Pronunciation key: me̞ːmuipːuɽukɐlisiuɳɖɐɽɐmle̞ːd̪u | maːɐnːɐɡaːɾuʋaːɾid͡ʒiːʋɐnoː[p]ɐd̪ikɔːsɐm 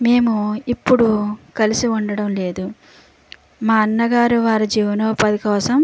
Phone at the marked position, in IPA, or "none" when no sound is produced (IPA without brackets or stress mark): p